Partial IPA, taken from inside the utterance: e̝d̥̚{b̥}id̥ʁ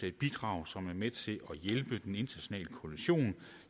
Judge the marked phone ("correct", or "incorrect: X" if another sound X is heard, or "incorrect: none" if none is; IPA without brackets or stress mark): correct